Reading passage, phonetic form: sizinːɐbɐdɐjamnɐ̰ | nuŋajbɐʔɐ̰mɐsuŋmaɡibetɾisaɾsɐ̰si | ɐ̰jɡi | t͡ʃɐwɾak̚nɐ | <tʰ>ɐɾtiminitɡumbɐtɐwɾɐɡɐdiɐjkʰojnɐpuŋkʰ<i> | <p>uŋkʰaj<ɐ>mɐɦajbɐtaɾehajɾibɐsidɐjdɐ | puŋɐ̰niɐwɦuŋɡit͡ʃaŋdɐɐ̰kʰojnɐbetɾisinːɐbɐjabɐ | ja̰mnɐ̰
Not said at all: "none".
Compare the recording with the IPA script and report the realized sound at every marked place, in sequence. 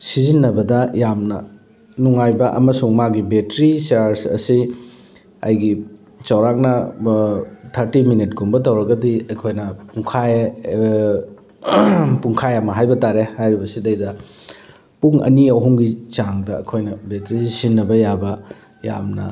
tʰ, a, p, ɐ

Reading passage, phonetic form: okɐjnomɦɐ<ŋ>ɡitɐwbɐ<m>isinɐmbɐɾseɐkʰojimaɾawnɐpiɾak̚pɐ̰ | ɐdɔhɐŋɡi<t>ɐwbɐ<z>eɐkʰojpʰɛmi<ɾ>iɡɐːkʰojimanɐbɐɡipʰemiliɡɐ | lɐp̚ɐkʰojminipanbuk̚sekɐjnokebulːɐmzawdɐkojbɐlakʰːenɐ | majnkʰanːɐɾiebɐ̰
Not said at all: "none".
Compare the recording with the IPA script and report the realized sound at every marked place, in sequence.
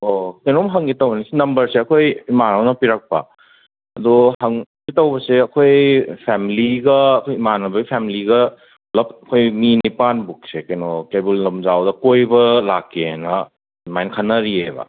ŋ, n, t, s, l

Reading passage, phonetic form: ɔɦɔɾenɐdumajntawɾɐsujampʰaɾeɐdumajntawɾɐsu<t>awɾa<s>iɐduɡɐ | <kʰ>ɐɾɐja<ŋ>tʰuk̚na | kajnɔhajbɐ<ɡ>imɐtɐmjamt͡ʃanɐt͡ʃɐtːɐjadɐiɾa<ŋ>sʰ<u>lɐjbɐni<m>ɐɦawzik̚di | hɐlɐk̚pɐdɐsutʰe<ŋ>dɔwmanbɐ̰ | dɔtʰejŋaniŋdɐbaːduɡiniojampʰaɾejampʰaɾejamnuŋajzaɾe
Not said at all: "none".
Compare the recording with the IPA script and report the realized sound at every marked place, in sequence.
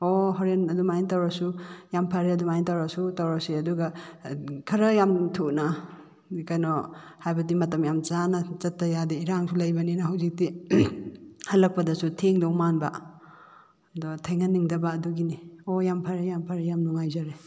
t, s, kʰ, m, d, ŋ, u, n, ŋ

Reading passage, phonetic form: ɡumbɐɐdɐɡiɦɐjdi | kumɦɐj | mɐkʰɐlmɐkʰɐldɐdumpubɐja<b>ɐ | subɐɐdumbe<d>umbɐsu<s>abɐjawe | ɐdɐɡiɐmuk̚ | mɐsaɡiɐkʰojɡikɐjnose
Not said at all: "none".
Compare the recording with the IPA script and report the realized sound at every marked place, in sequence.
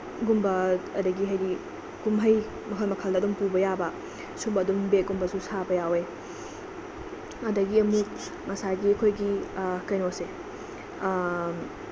b, ɡ, s

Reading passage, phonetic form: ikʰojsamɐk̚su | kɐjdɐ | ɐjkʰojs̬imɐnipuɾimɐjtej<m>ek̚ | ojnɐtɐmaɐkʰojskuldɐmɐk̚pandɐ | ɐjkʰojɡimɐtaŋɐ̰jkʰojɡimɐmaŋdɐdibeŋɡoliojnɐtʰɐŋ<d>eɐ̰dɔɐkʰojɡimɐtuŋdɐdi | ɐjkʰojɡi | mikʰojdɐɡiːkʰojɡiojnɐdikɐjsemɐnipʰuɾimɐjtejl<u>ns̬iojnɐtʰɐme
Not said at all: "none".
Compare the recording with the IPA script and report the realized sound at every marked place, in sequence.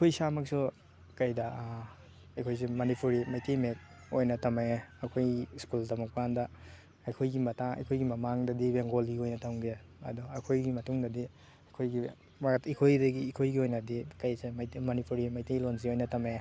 m, ɡ, o

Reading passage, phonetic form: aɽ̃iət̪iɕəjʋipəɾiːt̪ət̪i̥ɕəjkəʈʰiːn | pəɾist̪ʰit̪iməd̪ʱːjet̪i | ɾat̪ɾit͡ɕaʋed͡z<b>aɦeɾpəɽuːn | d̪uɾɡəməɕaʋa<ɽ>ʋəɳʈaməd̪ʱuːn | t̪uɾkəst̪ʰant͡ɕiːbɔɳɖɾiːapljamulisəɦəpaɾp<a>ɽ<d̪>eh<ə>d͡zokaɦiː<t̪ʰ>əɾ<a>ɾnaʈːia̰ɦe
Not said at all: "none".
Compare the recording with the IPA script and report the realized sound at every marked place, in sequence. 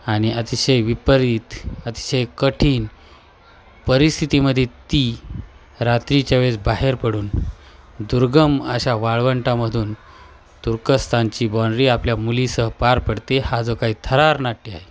b, ɭ, ə, t̪, a, t̪ʰ, a

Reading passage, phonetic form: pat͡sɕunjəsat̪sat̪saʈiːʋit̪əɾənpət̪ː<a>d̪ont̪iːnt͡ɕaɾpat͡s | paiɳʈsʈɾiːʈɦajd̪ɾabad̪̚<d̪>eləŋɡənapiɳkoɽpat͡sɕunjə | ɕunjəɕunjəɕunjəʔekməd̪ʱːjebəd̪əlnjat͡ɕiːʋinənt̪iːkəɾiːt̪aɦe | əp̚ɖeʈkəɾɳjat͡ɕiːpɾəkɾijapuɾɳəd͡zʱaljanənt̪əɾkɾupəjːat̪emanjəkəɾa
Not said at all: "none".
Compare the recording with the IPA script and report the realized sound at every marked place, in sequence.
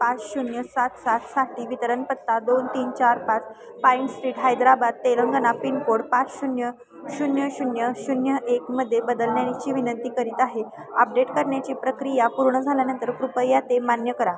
a, t̪

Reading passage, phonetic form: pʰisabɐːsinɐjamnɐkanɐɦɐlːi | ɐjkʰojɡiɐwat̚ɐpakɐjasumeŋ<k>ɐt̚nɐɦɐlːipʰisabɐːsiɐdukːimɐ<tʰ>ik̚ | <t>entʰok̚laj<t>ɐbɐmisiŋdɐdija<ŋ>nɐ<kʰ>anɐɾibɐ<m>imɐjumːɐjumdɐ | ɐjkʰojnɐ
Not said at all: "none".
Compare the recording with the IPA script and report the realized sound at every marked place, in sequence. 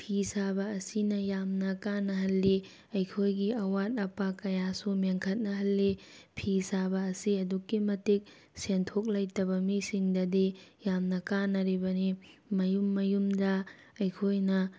kʰ, t, s, t, m, k, n

